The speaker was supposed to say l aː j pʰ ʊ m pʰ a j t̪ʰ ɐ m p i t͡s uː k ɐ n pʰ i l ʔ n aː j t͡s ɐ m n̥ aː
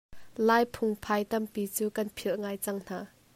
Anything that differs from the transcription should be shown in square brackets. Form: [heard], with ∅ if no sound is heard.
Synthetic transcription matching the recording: l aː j pʰ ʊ [ŋ] pʰ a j [t̪] ɐ m p i t͡s uː k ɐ n pʰ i l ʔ [ŋ] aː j t͡s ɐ [ŋ] n̥ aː